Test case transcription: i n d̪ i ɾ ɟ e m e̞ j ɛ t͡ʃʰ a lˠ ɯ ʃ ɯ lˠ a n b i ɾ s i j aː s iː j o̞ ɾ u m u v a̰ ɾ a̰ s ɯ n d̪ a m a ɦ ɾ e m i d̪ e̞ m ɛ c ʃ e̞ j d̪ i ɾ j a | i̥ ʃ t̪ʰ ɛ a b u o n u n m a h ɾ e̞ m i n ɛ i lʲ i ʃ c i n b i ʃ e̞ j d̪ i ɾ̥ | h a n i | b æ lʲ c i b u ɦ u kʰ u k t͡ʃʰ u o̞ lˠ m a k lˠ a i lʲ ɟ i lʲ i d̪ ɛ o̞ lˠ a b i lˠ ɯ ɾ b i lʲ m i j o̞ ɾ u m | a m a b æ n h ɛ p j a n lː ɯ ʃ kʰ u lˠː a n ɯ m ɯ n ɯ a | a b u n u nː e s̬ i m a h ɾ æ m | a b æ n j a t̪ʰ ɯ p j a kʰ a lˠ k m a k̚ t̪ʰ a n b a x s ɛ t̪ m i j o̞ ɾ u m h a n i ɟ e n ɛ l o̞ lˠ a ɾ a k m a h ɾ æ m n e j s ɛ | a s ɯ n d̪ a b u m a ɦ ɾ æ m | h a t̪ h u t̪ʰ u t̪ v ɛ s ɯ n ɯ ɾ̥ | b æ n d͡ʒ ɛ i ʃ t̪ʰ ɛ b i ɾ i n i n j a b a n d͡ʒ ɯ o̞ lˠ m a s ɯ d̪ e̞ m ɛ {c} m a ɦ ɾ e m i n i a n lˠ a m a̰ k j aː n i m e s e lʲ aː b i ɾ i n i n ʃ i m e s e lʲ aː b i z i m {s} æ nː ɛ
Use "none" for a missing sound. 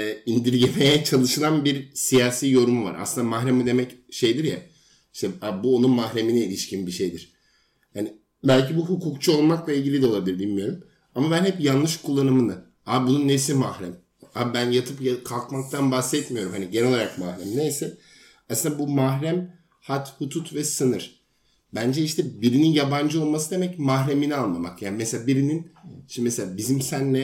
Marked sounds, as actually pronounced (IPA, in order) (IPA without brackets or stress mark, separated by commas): c, s